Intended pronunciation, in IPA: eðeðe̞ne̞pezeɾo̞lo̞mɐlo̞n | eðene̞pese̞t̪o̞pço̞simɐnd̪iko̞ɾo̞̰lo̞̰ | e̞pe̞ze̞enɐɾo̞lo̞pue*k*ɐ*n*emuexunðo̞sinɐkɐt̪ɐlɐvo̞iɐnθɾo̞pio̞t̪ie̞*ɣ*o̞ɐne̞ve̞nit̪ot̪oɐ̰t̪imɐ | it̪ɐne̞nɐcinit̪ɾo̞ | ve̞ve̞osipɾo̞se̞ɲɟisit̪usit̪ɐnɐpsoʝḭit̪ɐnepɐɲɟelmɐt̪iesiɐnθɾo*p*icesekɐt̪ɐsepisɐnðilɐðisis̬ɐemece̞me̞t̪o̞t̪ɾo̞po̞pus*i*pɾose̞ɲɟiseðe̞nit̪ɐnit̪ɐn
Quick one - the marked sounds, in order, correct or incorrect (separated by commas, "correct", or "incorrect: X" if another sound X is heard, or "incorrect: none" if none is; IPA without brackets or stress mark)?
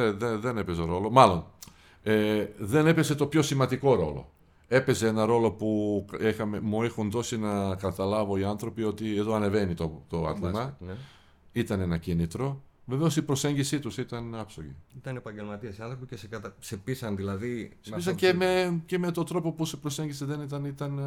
incorrect: x, incorrect: m, incorrect: ð, correct, incorrect: e